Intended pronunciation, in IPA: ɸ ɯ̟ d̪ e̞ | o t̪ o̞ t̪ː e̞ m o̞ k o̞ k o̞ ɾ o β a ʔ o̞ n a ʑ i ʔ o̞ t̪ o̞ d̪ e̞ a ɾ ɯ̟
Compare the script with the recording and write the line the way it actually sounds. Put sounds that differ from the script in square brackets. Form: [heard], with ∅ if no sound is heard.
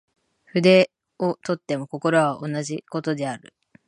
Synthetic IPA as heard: ɸ ɯ̟ d̪ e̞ | o t̪ o̞ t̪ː e̞ m o̞ k o̞ k o̞ ɾ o β a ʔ o̞ n a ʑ i [k] o̞ t̪ o̞ d̪ e̞ a ɾ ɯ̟